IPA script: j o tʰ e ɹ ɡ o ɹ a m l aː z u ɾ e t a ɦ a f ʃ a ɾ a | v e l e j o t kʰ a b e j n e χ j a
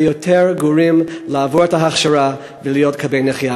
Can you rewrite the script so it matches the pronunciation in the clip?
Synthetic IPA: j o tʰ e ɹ ɡ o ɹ i m l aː v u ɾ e t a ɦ a χ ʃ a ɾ a | v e l i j o t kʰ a b e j n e χ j a

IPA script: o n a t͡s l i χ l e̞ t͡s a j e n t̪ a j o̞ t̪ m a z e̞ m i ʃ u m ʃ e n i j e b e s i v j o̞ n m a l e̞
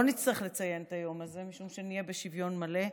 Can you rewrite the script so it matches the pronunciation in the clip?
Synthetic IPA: o n i t͡s l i χ l e̞ t͡s a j e n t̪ a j o̞ m a z e̞ m i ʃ u m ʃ e n i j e b e ʃ i v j o̞ n m a l e̞

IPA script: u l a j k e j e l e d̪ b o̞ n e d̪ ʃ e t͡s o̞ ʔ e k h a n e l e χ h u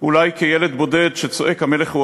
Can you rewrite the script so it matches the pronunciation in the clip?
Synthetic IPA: u l a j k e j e l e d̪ b o̞ d e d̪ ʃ e t͡s o̞ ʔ e k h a m e l e χ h u

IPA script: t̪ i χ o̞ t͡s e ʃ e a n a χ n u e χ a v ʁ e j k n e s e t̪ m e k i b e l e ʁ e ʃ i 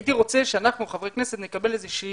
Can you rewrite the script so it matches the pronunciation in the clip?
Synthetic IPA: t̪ i ʁ o̞ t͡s e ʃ e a n a χ n u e χ a v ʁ e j k n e s e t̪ n e k a b e l e z e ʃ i

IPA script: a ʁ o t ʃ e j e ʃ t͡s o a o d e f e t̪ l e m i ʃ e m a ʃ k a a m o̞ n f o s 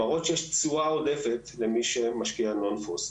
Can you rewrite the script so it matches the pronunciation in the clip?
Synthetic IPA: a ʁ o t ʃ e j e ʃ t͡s u a o d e f e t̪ l e m i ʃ e m a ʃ k i a n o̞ n f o s

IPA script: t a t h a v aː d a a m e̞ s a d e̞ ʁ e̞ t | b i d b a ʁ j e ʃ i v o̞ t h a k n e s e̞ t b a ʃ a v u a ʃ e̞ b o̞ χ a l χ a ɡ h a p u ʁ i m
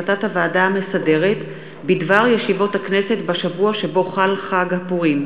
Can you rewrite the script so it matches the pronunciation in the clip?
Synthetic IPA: t a t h a v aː d a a m e̞ s a d e̞ ʁ e̞ t | b i d v a ʁ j e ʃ i v o̞ t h a k n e s e̞ t b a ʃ a v u a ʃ e̞ b o̞ χ a l χ a ɡ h a p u ʁ i m

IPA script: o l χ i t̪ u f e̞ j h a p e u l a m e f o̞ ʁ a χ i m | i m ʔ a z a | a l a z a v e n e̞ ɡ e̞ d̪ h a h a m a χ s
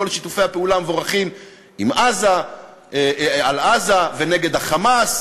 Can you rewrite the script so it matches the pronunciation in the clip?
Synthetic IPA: o l ʃ i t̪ u f e̞ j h a p e u l a m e v o̞ ʁ a χ i m | i m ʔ a z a | a l a z a v e n e̞ ɡ e̞ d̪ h a χ a m a s

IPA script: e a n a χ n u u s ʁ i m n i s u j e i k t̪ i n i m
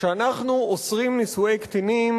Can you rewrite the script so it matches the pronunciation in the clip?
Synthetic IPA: e a n a χ n u o s ʁ i m n i s u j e j k t̪ i n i m

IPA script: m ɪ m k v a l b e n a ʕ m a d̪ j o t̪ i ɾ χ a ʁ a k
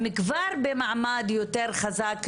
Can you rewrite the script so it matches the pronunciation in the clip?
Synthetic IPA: m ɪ k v a ɾ b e m a ʕ m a d̪ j o t̪ e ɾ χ a z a k

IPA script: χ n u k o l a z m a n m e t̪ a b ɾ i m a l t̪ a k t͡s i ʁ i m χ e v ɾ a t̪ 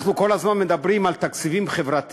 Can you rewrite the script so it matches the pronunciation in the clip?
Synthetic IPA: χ n u k o l a z m a n m e d̪ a b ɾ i m a l t̪ a k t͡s i v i m χ e v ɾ a t̪

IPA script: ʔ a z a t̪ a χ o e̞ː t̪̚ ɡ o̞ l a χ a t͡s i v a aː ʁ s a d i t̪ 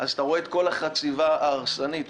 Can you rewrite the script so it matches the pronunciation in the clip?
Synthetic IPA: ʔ a z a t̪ a ʁ o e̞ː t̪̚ k o̞ l a χ a t͡s i v a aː ʁ s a n i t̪

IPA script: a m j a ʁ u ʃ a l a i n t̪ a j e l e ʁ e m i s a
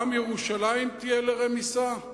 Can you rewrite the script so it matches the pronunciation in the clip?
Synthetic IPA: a m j e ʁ u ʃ a l a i m t̪ i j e l e ʁ e m i s a

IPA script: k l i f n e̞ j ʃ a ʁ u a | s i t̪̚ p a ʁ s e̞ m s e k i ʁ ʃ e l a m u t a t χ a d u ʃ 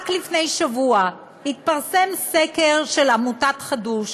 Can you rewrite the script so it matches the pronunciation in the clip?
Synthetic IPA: k l i f n e̞ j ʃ a v u a | h i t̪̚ p a ʁ s e̞ m s e k e ʁ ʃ e l a m u t a t χ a d u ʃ

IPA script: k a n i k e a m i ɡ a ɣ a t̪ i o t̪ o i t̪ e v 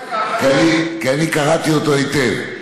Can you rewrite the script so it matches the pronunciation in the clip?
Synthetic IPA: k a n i k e a n i k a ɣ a t̪ i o t̪ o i t̪ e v

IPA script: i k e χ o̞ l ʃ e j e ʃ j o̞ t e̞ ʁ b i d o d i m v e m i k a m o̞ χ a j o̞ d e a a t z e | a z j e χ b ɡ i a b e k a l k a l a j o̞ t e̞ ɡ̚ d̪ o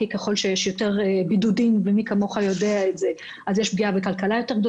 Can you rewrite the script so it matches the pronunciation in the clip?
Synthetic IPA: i k e χ o̞ l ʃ e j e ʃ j o̞ t e̞ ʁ b i d u d i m v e m i k a m o̞ χ a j o̞ d e a e t z e | a z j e ʃ b ɡ i a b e k a l k a l a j o̞ t e̞ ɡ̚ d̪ o

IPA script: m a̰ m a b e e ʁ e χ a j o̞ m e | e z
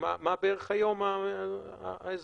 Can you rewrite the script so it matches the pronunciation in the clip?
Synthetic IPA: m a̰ m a b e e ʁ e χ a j o̞ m a | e z

